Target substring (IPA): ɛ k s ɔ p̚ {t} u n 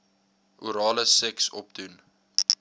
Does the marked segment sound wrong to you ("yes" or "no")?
yes